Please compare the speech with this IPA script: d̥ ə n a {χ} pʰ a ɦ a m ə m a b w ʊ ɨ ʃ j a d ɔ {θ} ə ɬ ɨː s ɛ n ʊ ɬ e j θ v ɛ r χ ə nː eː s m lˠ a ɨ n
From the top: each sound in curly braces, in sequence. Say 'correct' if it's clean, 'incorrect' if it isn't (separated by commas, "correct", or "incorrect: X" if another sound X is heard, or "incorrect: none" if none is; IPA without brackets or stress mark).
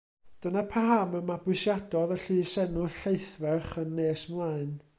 incorrect: none, incorrect: ð